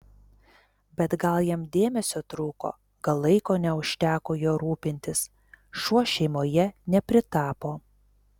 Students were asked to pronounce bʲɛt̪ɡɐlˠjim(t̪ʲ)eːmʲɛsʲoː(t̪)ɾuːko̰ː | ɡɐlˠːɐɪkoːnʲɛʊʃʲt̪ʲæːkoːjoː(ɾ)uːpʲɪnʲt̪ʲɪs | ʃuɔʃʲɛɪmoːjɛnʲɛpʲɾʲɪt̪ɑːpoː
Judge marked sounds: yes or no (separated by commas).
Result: no, yes, yes